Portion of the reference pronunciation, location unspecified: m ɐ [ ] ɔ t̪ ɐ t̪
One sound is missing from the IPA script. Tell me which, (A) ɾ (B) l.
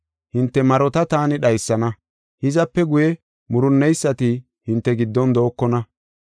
A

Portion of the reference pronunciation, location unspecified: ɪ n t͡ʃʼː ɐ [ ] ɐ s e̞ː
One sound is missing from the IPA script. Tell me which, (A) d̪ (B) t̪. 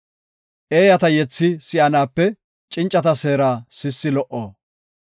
B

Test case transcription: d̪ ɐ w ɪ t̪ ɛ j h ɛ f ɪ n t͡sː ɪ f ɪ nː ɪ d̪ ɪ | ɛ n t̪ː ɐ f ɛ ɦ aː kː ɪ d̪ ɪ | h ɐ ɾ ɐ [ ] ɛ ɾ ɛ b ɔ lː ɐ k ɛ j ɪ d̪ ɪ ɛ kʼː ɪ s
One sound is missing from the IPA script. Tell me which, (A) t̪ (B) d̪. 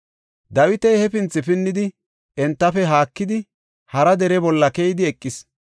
B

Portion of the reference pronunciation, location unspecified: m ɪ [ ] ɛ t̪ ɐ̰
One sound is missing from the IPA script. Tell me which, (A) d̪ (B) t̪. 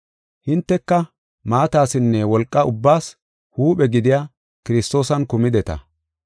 A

